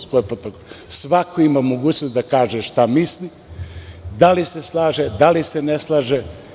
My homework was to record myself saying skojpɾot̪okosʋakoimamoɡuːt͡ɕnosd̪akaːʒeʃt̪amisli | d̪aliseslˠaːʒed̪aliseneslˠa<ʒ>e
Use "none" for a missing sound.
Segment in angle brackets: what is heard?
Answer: ʒ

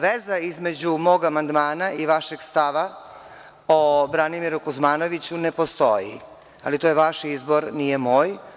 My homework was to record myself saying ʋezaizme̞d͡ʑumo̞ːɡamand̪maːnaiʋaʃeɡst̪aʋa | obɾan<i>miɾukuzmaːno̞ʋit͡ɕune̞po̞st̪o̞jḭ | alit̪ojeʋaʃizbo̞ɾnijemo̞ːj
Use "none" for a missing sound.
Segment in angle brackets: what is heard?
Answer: i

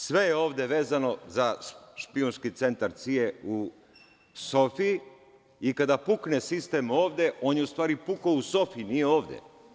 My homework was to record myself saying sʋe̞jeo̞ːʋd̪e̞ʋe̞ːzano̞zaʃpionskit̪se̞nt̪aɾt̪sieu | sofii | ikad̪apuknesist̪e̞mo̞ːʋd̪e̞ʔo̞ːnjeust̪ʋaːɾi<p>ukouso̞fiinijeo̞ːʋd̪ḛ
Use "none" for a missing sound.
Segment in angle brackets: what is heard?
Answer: p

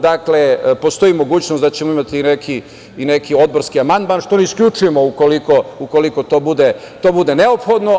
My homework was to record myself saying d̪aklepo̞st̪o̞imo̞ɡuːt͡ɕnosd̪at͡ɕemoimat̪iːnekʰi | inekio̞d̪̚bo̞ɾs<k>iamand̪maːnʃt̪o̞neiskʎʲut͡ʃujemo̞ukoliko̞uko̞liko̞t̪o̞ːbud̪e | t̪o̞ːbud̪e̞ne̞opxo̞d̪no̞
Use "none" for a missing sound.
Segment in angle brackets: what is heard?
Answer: k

